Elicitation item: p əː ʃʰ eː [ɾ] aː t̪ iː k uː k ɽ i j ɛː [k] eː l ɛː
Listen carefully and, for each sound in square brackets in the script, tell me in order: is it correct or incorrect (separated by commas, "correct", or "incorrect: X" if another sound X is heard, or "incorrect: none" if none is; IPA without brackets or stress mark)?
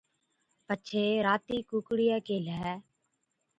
correct, correct